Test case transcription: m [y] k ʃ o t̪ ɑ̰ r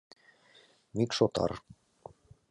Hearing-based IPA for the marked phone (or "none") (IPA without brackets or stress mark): i